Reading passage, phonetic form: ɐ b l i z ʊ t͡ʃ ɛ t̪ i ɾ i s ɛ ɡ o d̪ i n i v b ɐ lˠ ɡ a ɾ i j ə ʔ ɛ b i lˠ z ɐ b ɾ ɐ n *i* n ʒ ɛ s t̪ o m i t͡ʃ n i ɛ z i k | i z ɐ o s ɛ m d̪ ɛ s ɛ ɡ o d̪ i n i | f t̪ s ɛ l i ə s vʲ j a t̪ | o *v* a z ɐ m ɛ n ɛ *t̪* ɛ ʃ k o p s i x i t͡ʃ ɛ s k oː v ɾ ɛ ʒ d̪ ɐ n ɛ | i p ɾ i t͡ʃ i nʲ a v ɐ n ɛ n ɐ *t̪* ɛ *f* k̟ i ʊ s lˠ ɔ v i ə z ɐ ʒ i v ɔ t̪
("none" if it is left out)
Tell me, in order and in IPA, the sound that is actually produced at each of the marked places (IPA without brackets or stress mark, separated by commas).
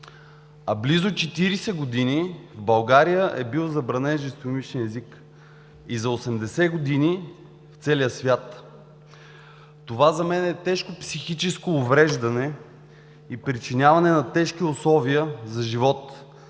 ɛ, v, t̪, t̪, ʃ